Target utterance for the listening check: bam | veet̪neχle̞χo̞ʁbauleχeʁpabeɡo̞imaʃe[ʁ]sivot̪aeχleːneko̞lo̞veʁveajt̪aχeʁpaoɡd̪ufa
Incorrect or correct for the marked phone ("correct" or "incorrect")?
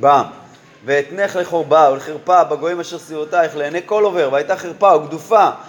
correct